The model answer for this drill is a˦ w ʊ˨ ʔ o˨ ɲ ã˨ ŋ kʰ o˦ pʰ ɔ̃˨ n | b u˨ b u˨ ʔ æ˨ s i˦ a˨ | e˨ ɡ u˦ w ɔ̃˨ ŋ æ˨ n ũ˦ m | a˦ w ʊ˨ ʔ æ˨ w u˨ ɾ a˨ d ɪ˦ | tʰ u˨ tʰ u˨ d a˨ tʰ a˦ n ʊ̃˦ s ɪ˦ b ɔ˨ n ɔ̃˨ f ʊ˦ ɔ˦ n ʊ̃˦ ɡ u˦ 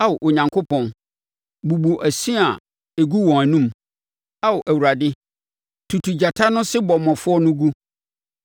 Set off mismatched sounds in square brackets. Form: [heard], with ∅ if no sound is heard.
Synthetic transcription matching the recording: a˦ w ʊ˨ ʔ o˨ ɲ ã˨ ŋ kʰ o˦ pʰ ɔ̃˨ n | b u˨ b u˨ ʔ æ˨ s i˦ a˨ | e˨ ɡ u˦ w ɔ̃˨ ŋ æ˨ n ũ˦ m | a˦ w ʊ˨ ʔ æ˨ w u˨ ɾ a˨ d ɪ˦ | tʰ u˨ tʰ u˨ [d͡ʑ] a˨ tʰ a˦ n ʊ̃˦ s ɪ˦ b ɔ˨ [m] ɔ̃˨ f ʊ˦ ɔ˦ n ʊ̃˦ ɡ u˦